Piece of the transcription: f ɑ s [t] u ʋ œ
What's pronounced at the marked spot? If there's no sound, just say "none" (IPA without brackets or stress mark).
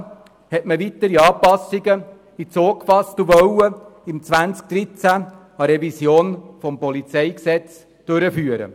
t